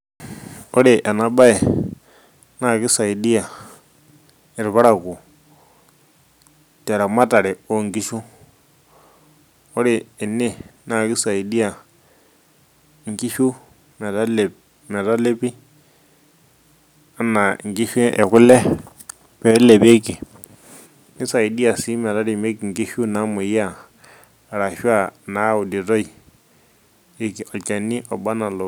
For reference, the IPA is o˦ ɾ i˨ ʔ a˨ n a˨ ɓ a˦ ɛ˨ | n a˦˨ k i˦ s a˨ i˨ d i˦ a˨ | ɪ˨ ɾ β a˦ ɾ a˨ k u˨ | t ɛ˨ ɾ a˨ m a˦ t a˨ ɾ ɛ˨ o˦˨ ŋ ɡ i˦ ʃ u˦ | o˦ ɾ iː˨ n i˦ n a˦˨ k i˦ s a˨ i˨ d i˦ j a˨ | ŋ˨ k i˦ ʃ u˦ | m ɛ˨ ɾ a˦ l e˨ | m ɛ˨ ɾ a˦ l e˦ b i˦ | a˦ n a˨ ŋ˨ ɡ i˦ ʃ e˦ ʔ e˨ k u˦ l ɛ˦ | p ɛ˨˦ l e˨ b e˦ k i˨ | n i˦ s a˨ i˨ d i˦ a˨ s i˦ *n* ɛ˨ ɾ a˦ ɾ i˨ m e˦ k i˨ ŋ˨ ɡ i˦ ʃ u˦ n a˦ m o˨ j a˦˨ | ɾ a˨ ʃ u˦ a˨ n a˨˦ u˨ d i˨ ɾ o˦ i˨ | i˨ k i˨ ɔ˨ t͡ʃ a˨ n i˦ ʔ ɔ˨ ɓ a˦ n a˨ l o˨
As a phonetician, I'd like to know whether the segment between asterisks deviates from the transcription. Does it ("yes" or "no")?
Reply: yes